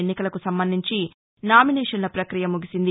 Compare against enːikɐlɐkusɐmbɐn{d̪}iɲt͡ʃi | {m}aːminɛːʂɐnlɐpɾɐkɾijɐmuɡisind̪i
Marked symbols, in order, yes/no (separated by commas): yes, no